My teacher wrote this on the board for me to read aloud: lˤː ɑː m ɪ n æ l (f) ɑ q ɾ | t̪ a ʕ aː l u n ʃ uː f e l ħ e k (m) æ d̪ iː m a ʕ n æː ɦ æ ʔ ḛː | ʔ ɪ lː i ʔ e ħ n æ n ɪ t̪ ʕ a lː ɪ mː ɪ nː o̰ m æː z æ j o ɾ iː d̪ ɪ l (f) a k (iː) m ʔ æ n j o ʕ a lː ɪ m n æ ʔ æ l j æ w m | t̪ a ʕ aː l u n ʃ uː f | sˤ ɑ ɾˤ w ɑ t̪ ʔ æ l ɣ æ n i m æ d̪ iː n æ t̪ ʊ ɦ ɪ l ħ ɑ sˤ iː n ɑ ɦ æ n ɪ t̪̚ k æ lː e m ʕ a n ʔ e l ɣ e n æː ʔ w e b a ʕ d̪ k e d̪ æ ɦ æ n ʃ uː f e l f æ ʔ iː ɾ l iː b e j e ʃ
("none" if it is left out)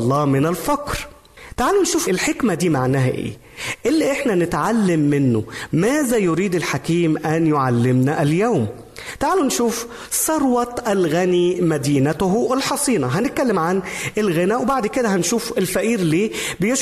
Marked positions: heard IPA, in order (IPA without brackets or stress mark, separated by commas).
f, m, ħ, iː